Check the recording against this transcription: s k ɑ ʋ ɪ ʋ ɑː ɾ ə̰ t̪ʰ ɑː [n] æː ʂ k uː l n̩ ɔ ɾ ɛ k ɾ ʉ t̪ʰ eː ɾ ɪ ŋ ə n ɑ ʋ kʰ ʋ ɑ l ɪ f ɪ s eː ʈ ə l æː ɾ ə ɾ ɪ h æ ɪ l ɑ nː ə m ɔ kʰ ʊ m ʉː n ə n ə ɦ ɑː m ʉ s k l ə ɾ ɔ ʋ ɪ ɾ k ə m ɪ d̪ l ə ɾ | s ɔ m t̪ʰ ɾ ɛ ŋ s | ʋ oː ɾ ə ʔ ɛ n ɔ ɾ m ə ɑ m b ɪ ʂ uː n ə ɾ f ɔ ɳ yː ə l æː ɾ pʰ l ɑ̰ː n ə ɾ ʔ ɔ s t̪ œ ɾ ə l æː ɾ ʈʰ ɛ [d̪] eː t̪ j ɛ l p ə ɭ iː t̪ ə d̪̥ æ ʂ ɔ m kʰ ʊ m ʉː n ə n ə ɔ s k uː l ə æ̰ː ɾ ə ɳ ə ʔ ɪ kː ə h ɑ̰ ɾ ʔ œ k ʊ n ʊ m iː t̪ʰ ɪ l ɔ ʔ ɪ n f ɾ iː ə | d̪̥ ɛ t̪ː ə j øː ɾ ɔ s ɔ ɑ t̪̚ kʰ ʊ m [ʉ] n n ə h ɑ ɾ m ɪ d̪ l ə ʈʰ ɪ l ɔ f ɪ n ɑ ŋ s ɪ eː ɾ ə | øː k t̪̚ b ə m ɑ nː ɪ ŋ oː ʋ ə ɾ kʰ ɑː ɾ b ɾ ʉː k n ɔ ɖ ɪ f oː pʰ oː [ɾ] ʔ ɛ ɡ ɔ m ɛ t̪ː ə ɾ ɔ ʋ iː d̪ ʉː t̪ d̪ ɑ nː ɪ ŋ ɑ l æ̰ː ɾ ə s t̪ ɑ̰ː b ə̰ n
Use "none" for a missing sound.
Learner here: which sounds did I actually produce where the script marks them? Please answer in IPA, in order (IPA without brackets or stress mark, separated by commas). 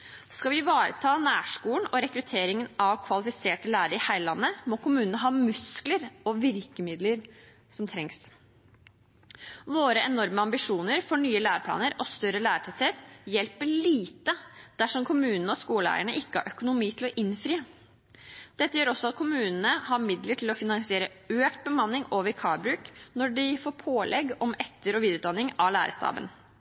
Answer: n, t̪, ʉː, l